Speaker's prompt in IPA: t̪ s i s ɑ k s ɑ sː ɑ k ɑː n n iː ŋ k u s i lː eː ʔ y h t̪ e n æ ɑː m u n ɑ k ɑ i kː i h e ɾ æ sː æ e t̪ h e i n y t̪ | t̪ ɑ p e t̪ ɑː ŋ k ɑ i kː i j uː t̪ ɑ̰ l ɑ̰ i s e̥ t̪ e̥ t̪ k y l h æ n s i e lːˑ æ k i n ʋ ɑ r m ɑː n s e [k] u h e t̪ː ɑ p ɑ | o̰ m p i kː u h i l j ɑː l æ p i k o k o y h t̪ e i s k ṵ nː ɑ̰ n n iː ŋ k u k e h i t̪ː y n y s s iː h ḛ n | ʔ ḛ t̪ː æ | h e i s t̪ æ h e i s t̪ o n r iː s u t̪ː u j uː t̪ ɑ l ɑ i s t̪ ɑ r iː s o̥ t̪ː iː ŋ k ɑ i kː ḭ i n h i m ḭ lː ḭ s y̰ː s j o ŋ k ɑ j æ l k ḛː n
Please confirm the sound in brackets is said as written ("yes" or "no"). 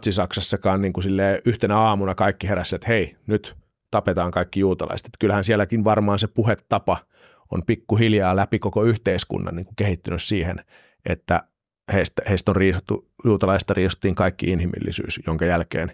no